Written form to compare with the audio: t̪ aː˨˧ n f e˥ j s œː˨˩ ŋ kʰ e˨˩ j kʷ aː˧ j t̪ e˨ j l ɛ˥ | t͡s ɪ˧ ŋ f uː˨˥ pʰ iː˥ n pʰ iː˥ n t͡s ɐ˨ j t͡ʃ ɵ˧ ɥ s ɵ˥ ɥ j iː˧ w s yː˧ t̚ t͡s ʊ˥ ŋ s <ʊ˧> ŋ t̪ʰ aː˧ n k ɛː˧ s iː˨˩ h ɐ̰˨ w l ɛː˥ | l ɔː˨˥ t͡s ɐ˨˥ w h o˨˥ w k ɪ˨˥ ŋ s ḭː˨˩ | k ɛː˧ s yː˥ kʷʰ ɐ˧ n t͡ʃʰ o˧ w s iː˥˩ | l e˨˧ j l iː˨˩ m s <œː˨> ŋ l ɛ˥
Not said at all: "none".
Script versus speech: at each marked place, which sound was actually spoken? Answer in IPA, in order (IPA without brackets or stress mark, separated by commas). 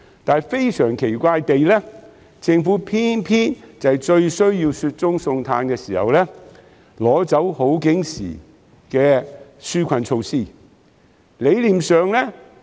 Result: ʊ˧, œː˨